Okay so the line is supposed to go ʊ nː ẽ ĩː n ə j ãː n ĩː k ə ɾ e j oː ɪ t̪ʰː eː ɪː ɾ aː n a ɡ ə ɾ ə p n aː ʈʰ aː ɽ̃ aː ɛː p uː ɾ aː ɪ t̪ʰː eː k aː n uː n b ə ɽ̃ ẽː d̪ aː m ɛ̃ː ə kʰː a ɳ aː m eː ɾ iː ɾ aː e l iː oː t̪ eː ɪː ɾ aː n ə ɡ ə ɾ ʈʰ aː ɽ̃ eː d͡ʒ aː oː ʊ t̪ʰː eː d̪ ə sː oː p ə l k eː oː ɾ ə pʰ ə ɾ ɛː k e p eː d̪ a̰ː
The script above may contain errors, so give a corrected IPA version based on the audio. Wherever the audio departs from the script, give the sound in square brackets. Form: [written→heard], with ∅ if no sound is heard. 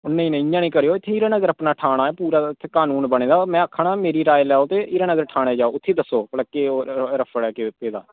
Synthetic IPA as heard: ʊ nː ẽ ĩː n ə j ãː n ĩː k ə ɾ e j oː ɪ t̪ʰː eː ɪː ɾ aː n [a→ə] ɡ ə ɾ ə p n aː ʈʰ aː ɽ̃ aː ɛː p uː ɾ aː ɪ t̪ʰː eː k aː n uː n b ə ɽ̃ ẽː d̪ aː m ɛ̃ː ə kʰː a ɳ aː m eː ɾ iː ɾ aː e l [iː→ɛː] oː t̪ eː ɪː ɾ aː n ə ɡ ə ɾ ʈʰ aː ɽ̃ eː d͡ʒ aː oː ʊ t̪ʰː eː d̪ ə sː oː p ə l k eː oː ɾ ə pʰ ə [ɾ→ɽ] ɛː k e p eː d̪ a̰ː